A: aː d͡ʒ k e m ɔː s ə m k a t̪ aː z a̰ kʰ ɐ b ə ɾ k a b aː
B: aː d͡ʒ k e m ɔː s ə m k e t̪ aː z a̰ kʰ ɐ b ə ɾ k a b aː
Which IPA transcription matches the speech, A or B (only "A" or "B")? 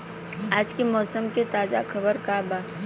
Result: B